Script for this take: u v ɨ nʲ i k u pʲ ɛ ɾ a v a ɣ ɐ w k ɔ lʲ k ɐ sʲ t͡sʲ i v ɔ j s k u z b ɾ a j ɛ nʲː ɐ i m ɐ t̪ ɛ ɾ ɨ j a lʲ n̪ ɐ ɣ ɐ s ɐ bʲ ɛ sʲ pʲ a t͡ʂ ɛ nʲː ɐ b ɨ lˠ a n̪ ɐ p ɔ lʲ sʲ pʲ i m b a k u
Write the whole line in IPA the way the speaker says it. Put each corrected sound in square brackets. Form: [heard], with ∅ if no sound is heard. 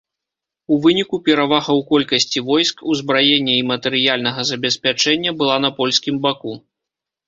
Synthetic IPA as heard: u v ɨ nʲ i k u pʲ ɛ ɾ a v a ɣ ɐ w k ɔ lʲ k ɐ sʲ t͡sʲ i v ɔ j s k u z b ɾ a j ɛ nʲː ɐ i m ɐ t̪ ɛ ɾ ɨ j a lʲ n̪ ɐ ɣ ɐ [z] ɐ bʲ ɛ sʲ pʲ a t͡ʂ ɛ nʲː ɐ b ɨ lˠ a n̪ ɐ p ɔ lʲ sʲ [kʲ] i m b a k u